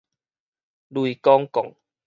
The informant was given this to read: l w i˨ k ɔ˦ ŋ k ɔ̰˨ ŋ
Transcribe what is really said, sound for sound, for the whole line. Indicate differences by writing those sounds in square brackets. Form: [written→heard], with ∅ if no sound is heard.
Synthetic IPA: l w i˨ k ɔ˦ ŋ k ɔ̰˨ ŋ